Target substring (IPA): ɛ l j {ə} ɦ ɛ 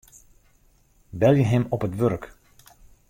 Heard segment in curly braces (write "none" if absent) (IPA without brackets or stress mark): ə